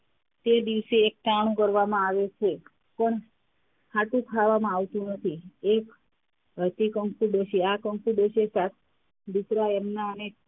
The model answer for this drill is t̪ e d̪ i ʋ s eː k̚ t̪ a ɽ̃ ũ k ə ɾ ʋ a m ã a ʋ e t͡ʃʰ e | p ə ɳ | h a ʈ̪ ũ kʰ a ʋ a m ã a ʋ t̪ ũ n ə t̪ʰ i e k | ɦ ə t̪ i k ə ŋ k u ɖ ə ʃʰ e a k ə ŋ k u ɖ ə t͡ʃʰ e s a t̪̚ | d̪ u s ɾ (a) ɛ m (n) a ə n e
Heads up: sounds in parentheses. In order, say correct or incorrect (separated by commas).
correct, correct